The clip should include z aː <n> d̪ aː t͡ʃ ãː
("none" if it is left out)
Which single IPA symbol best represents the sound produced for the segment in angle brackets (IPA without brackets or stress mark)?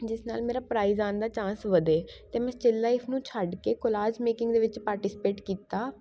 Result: n